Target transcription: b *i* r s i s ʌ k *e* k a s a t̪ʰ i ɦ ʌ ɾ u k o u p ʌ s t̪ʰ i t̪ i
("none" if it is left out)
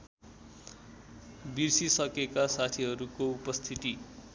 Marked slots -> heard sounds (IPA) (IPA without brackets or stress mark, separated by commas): i, e